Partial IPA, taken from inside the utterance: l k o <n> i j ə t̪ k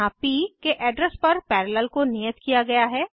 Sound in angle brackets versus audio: correct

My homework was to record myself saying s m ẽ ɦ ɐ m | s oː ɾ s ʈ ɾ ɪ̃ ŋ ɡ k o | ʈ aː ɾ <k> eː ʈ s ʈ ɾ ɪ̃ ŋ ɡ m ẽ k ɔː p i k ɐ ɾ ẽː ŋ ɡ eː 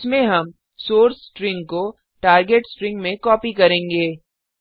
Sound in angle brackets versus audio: incorrect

